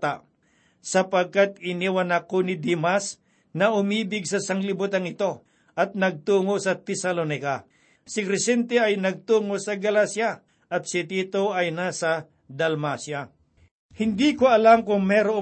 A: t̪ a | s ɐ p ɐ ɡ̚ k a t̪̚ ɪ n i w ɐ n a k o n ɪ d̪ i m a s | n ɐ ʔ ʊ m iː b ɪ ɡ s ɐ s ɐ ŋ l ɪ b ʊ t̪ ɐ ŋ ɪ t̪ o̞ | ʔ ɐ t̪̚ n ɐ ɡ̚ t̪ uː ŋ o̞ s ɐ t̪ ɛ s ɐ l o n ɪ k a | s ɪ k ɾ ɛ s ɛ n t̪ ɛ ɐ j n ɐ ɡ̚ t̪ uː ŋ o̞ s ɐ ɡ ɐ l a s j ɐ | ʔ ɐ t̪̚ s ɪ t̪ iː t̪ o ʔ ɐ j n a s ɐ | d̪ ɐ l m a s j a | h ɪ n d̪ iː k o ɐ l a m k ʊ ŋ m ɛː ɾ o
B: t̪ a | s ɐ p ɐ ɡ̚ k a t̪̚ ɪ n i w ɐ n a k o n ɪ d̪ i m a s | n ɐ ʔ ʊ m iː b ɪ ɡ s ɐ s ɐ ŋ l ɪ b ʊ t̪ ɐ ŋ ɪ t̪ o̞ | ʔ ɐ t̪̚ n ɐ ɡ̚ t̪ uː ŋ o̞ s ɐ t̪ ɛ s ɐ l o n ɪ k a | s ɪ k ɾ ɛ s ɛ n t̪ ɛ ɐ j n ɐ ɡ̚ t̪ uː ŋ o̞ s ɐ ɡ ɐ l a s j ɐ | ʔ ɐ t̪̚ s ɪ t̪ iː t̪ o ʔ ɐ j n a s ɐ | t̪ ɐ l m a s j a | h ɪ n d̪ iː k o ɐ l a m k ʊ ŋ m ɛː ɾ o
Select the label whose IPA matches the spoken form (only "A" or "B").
A